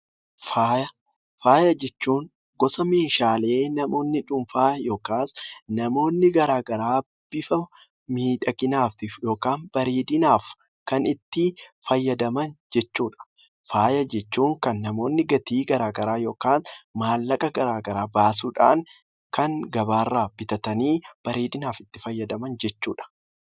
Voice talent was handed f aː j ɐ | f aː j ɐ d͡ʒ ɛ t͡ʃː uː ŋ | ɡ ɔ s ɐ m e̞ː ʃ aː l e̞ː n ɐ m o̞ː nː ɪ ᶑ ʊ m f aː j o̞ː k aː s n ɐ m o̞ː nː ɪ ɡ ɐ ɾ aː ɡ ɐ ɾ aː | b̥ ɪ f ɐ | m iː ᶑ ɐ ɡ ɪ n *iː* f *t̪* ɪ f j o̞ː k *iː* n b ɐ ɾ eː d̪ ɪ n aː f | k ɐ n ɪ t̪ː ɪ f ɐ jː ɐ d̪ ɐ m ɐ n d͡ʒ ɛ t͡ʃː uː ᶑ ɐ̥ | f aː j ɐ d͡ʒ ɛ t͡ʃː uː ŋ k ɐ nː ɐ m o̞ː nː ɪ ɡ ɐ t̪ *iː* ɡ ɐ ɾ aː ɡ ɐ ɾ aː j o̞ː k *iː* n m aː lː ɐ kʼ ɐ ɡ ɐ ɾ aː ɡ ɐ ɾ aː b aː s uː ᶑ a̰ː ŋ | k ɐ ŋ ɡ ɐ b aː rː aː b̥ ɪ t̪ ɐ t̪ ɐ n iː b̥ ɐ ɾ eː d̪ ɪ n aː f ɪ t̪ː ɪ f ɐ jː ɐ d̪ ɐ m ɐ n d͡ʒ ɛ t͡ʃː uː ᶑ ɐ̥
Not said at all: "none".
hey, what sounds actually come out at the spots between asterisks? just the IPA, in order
aː, t̪, aː, iː, aː

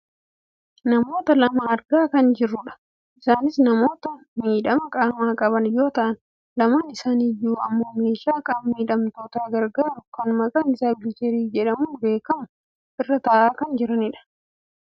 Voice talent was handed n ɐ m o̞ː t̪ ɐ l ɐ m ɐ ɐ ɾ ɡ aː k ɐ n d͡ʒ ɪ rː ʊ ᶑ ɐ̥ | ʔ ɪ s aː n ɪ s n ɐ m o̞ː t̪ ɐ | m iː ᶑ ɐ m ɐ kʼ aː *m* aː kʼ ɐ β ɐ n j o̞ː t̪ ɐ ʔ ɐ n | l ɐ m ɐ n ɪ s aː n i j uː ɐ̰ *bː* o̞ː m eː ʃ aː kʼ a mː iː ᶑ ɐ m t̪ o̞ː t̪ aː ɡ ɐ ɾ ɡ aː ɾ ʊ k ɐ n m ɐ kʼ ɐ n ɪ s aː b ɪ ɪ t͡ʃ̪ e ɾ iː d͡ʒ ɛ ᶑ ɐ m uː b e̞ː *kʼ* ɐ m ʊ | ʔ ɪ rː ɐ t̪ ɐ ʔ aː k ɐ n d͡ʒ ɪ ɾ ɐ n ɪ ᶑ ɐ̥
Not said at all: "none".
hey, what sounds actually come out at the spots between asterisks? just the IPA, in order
m, mː, k

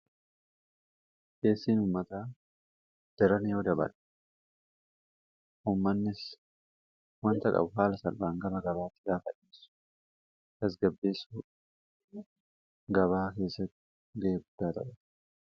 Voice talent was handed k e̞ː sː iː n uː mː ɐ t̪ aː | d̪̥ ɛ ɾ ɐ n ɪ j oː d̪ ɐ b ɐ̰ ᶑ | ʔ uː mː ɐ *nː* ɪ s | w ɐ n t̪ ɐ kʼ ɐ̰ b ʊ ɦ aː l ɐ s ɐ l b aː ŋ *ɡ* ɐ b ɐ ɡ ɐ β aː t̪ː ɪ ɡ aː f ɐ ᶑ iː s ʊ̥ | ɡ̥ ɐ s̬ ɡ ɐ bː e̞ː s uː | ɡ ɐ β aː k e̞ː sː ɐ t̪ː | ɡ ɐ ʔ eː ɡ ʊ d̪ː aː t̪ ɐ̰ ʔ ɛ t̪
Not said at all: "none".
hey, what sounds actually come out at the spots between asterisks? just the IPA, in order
nː, ɡ

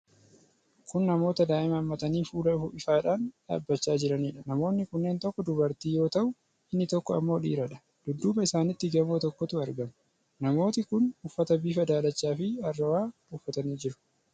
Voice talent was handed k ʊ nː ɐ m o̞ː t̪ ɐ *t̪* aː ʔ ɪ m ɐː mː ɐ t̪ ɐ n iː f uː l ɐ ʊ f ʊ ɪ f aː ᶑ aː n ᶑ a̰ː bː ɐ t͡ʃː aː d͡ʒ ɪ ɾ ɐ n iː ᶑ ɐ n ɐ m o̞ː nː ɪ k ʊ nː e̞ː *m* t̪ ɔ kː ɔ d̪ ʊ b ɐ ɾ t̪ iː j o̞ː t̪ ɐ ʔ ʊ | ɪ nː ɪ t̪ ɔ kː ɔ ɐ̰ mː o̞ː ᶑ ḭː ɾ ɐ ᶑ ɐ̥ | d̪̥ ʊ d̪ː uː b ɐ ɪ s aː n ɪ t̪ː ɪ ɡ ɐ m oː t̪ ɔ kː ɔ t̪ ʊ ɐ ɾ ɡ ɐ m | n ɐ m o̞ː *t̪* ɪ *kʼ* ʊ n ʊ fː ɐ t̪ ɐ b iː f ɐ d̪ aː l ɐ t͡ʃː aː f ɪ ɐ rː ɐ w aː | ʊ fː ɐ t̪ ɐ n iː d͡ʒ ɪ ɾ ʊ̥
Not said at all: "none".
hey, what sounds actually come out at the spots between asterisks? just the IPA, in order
d̪, n, t̪, k

